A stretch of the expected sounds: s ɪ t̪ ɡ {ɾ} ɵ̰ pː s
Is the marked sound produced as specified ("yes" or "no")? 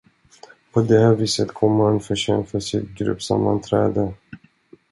yes